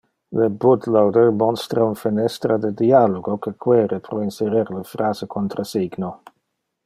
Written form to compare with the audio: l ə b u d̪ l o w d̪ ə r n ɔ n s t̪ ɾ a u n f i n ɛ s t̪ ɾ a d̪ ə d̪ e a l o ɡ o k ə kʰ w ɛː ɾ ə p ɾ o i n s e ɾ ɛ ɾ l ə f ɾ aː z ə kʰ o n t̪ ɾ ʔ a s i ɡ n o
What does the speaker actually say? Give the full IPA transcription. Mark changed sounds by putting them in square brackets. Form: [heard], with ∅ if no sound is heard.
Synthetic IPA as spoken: l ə b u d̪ l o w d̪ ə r [m] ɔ n s t̪ ɾ a u n f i n ɛ s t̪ ɾ a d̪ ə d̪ [i] a l o ɡ o k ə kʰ w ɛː ɾ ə p ɾ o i n s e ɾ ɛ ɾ l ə f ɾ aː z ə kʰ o n t̪ ɾ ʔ a s i ɡ n o